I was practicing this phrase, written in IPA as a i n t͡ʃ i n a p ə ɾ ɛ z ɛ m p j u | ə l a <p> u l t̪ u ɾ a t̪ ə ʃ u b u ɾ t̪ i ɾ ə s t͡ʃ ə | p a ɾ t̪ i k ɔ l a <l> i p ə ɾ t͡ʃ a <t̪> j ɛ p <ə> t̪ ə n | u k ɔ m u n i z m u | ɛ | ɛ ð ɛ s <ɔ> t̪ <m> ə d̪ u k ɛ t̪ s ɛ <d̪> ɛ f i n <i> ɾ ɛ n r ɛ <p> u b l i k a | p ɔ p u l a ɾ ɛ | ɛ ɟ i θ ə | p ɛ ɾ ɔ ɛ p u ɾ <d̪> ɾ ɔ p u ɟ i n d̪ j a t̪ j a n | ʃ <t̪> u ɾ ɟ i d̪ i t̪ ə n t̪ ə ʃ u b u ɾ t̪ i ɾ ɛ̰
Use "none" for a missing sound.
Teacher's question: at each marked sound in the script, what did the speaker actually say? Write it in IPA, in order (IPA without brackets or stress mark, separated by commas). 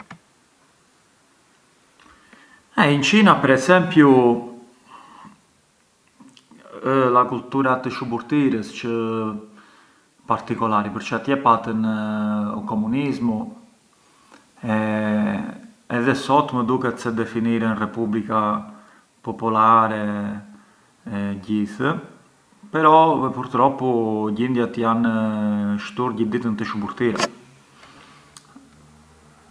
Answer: k, ɾ, t̪, a, ɔ, m, d̪, i, p, t̪, t̪